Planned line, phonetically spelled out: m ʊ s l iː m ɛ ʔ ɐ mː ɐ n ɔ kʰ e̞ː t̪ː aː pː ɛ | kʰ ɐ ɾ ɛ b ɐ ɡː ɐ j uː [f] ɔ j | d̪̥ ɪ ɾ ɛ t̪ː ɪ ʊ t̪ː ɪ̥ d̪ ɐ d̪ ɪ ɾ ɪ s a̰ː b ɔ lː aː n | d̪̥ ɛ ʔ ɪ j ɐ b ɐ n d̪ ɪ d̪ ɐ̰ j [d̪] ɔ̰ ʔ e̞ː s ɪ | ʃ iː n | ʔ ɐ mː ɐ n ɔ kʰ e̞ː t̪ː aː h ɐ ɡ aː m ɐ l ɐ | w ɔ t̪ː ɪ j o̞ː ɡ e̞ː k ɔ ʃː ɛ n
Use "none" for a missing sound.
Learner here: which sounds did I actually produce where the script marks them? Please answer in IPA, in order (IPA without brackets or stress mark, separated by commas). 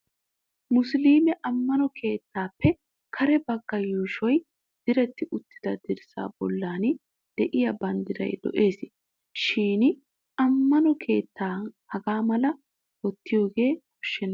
ʃ, d̪